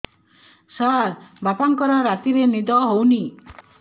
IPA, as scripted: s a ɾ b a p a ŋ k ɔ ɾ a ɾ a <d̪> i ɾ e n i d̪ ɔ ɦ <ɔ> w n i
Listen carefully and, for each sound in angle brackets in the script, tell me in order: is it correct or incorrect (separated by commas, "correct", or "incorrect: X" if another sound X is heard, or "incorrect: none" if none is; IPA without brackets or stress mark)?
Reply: incorrect: t̪, incorrect: o